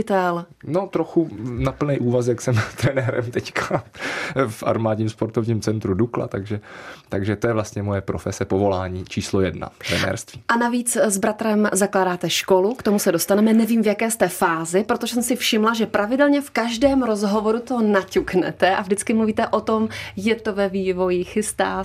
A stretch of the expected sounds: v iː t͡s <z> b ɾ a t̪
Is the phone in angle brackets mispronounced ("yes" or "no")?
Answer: no